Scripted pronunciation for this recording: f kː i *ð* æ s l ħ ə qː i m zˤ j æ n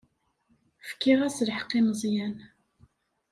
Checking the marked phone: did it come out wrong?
yes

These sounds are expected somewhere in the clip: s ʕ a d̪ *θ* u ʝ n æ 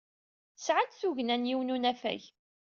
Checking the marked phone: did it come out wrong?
no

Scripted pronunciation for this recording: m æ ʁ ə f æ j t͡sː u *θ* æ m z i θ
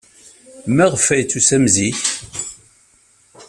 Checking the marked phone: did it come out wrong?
yes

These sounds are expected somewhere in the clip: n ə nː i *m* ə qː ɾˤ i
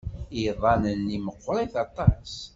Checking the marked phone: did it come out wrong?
no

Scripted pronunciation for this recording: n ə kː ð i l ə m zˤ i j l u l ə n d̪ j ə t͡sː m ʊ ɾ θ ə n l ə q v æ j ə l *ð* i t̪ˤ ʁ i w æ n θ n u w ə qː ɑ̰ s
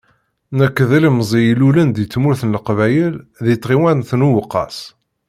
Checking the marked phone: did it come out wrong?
no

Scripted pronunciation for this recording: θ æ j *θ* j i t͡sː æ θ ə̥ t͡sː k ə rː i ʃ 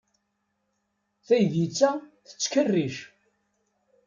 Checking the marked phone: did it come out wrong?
yes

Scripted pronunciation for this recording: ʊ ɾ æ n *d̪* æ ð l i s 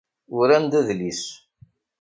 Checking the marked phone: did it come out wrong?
no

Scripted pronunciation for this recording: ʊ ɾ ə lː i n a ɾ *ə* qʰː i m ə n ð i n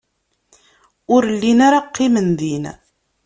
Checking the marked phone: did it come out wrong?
yes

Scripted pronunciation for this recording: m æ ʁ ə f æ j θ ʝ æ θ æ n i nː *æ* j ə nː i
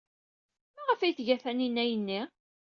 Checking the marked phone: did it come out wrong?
no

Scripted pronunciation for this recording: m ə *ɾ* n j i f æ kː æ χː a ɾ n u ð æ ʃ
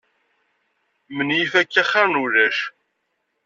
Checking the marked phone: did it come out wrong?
yes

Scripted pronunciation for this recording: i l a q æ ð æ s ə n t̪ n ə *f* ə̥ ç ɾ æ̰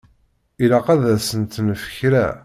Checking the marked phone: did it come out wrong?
no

